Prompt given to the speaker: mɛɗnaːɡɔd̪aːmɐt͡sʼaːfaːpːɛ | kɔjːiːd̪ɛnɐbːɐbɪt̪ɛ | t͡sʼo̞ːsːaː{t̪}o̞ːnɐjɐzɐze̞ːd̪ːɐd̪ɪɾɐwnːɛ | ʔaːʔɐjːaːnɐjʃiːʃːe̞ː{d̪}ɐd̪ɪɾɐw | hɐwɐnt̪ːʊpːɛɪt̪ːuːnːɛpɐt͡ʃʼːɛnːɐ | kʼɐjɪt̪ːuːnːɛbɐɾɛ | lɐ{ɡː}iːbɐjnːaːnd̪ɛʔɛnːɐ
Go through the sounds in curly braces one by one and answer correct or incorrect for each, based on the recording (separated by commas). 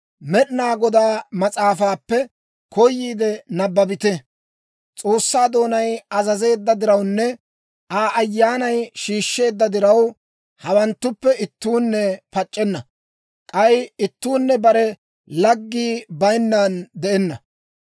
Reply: incorrect, incorrect, correct